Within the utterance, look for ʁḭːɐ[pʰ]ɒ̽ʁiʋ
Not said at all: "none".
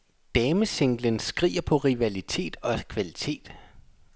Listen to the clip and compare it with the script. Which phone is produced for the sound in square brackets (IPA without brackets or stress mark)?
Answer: pʰ